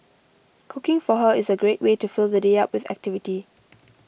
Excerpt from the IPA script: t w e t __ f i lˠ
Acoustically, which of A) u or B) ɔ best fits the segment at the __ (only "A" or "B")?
A